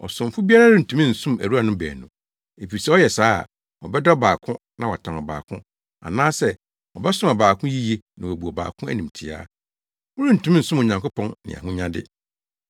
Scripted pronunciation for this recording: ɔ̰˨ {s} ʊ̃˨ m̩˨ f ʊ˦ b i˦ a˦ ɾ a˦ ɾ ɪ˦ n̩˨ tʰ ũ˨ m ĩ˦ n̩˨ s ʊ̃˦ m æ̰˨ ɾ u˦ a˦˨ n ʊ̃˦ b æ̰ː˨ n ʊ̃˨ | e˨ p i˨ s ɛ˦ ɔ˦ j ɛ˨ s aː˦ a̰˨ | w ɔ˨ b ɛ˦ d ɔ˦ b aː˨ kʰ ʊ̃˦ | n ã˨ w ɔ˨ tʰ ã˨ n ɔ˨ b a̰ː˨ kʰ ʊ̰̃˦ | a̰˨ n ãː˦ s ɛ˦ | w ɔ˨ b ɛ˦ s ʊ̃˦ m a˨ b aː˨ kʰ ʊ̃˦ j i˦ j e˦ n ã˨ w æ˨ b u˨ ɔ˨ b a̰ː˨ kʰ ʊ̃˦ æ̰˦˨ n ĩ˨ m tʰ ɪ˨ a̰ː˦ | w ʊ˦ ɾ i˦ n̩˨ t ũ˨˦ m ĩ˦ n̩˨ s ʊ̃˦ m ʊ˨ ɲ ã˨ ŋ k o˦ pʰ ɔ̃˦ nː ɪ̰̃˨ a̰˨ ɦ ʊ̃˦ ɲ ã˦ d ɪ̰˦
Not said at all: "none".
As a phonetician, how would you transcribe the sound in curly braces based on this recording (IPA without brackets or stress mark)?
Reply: s